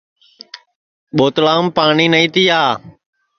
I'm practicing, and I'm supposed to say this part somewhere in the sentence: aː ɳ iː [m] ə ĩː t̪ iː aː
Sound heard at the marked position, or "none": n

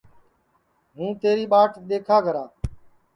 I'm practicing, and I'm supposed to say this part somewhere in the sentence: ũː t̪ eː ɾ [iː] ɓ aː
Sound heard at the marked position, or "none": iː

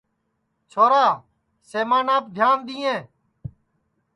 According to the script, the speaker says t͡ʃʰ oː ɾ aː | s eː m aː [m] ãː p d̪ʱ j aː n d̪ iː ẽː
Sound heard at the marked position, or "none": n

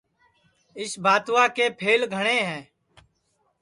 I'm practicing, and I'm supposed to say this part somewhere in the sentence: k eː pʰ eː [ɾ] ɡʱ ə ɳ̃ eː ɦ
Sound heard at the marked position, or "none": l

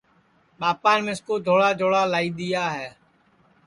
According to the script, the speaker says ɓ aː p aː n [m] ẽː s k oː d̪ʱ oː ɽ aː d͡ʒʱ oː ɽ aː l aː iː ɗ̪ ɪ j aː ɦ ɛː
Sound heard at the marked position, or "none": m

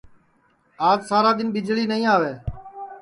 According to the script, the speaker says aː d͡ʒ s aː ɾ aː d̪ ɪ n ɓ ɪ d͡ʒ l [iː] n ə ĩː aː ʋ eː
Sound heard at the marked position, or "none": iː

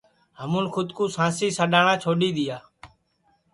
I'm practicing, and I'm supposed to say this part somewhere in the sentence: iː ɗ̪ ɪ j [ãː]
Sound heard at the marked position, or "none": aː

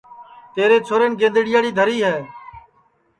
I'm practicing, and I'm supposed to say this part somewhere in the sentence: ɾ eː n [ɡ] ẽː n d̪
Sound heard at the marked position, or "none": ɡ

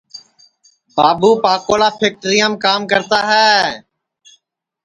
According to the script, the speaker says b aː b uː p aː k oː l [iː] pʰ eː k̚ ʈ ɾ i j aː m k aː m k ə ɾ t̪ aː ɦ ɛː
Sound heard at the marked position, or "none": aː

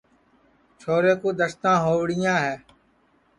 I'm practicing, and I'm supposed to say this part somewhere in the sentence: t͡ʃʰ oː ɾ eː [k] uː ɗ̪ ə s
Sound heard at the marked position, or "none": k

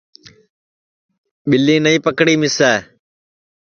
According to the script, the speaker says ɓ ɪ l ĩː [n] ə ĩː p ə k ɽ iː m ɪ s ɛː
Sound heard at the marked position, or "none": n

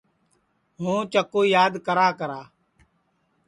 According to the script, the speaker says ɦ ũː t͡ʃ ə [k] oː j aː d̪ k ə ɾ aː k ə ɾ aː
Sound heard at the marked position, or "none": k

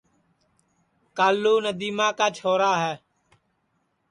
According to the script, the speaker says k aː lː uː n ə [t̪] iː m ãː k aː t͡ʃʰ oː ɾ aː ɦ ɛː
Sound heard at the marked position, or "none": d̪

